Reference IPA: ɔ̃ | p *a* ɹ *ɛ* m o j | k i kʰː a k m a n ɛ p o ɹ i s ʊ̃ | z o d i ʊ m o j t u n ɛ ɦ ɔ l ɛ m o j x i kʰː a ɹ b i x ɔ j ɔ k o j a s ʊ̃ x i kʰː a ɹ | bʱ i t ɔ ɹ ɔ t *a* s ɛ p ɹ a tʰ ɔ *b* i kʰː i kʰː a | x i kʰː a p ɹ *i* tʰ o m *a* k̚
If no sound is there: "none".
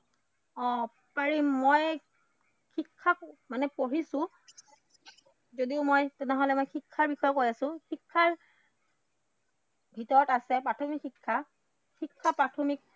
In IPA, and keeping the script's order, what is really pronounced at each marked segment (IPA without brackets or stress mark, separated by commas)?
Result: a, i, a, m, a, i